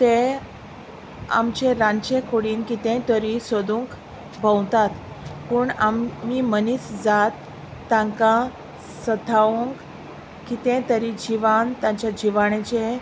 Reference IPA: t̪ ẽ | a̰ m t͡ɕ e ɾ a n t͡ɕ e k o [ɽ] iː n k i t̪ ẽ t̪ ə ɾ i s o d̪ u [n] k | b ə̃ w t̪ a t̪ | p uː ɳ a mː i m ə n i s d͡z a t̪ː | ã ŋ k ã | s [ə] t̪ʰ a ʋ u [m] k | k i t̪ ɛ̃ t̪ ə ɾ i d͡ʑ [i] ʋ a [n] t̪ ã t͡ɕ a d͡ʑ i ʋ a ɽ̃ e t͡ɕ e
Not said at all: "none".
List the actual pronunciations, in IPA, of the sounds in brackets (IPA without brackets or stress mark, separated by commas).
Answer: ɽ, ŋ, ə, ŋ, i, n